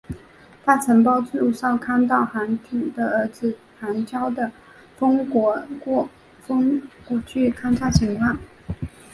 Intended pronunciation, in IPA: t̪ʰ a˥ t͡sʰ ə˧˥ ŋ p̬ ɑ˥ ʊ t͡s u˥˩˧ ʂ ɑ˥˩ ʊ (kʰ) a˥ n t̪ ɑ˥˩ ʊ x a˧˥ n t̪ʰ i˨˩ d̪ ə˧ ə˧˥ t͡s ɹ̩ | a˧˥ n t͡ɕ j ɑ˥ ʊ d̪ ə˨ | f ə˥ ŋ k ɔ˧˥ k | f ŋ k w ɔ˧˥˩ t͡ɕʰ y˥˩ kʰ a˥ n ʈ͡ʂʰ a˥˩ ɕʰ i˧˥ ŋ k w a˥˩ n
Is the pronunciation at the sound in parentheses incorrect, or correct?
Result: correct